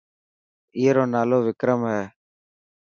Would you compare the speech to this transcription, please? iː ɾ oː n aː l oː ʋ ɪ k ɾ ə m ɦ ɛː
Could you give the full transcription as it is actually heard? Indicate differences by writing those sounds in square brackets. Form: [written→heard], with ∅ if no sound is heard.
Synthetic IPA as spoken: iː ɾ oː n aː l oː ʋ ɪ k ɾ ə m ɦ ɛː